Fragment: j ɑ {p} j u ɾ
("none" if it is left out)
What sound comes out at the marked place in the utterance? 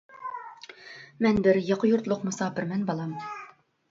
q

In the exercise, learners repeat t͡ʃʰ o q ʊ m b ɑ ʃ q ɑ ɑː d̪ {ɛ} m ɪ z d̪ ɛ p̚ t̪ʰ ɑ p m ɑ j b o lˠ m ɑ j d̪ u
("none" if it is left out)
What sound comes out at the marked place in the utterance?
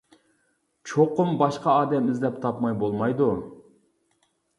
ɛ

